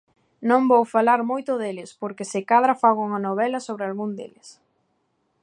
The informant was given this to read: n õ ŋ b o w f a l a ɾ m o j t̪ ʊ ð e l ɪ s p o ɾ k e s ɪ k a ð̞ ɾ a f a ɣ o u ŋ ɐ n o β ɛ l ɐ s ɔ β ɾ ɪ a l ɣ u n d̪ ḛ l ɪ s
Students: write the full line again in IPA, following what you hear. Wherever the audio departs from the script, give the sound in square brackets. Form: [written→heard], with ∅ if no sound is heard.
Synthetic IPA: n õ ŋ b o w f a l a ɾ m o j t̪ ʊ ð e l ɪ s p o ɾ k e s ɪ k a ð̞ ɾ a f a ɣ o u ŋ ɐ n o β ɛ l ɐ s [ɔ→o] β ɾ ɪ a l ɣ u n d̪ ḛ l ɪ s